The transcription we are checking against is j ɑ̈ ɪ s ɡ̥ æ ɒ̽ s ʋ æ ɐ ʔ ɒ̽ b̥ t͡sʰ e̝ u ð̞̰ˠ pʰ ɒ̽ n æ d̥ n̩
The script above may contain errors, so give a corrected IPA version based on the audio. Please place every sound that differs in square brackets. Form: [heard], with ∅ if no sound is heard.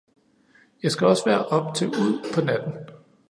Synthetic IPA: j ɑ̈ ɪ s ɡ̥ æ ɒ̽ s ʋ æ ɐ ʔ ɒ̽ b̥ t͡sʰ e̝ u ð̞̰ˠ pʰ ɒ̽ n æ d̥ n̩